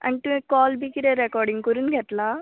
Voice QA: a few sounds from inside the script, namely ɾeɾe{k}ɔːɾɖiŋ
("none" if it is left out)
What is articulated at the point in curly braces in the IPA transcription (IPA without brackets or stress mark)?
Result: k